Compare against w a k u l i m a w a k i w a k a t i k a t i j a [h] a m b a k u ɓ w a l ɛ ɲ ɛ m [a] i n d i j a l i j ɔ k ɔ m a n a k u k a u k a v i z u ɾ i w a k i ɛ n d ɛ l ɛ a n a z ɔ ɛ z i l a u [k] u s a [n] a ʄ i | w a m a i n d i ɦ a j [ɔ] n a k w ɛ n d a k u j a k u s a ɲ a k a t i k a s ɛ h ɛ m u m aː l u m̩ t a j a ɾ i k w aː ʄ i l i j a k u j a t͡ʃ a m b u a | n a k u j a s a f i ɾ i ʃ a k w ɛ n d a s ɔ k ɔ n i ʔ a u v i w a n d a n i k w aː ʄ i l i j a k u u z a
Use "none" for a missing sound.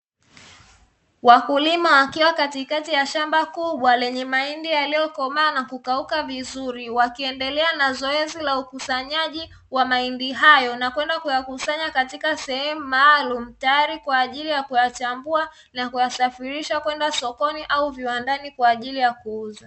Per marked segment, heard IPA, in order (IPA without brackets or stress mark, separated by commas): ʃ, a, k, ɲ, ɔ